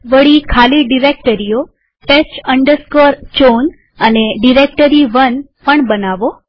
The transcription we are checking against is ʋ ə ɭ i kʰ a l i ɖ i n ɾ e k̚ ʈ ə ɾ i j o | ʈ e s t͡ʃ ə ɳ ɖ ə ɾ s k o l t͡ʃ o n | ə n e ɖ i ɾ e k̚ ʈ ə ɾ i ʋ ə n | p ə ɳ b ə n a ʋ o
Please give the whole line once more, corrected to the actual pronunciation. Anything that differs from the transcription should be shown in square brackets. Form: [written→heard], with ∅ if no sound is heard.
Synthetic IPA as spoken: ʋ ə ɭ i kʰ a l i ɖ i [n→∅] ɾ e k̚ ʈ ə ɾ i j o | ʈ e s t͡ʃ ə ɳ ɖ ə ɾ s k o [l→ɾ] t͡ʃ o n | ə n e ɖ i ɾ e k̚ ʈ ə ɾ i ʋ ə n | p ə ɳ b ə n a ʋ o